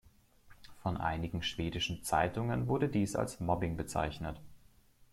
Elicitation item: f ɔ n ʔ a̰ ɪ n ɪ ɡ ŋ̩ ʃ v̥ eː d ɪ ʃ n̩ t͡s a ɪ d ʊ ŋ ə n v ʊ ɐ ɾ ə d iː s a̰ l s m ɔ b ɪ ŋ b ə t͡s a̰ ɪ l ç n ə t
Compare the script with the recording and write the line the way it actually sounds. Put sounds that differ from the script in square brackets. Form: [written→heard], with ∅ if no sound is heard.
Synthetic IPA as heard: f ɔ n ʔ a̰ ɪ n ɪ ɡ ŋ̩ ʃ v̥ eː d ɪ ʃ n̩ t͡s a ɪ [d→t] ʊ ŋ ə n v ʊ ɐ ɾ ə d iː s a̰ l s m ɔ b ɪ ŋ b ə t͡s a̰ ɪ [l→∅] ç n ə t